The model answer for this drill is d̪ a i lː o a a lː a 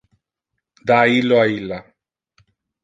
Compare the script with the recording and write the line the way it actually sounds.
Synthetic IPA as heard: d̪ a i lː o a i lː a